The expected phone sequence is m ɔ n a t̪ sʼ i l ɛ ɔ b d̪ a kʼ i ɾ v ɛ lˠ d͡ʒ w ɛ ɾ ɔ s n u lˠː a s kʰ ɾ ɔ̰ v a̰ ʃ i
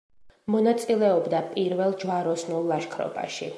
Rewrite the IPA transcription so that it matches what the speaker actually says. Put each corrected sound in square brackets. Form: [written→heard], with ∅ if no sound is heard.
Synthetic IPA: m ɔ n a t̪ sʼ i l ɛ ɔ b d̪ a [kʼ→pʼ] i ɾ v ɛ lˠ d͡ʒ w [ɛ→a] ɾ ɔ s n u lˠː a [s→ʃ] kʰ ɾ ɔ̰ [v→b] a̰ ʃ i